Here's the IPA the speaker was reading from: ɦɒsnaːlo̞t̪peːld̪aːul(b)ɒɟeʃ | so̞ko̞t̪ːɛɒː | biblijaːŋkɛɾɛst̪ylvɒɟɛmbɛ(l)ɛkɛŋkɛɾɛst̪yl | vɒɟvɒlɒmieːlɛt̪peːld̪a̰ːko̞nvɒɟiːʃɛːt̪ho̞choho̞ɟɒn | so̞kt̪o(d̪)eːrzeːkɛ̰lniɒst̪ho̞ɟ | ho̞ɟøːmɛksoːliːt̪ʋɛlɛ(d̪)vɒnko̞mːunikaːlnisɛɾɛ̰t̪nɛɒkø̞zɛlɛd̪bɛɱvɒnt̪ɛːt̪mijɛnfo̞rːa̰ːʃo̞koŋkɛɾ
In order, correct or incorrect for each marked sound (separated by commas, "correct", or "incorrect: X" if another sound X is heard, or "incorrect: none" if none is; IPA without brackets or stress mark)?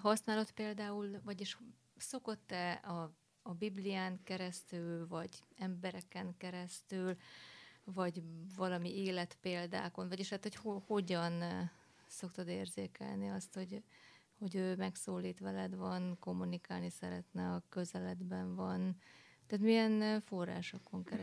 incorrect: v, incorrect: ɾ, correct, correct